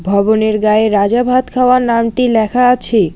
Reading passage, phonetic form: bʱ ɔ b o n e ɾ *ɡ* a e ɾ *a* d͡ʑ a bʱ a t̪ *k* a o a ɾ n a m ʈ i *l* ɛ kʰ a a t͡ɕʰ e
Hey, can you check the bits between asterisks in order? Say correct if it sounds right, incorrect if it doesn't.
correct, correct, incorrect: kʰ, correct

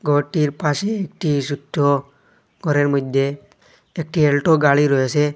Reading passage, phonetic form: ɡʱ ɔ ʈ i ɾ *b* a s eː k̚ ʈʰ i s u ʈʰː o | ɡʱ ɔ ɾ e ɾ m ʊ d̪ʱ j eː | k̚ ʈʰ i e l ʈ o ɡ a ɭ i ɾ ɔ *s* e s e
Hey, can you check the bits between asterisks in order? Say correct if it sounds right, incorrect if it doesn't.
incorrect: p, incorrect: none

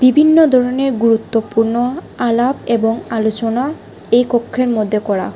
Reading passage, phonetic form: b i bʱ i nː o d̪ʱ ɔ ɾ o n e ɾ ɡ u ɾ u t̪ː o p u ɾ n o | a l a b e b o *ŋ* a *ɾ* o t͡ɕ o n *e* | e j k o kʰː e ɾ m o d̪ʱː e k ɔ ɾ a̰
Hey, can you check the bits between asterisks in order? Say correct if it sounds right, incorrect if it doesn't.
correct, incorrect: l, incorrect: a

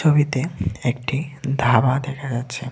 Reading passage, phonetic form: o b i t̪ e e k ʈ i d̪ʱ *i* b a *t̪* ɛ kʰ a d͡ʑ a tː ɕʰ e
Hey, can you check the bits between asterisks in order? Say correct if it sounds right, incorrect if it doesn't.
incorrect: a, incorrect: d̪

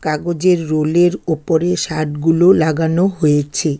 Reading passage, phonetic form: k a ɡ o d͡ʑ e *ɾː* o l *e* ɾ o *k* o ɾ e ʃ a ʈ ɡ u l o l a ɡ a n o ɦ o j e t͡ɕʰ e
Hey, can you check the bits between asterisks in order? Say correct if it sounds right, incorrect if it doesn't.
correct, correct, incorrect: p

